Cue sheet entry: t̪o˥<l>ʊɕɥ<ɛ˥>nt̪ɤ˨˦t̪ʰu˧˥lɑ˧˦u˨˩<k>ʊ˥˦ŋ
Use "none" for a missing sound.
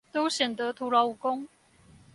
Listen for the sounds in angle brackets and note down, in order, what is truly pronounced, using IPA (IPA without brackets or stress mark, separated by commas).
none, ɛ˨˩, k